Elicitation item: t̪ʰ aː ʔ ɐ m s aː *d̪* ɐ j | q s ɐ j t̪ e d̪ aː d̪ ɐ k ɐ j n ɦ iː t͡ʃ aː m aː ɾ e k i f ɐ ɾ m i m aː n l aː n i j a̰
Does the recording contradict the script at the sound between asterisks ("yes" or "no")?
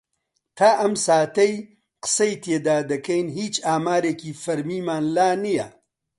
yes